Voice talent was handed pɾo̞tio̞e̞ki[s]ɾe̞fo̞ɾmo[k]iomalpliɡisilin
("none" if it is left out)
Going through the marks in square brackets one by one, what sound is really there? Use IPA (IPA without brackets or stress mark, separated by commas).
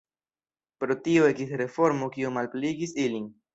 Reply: s, k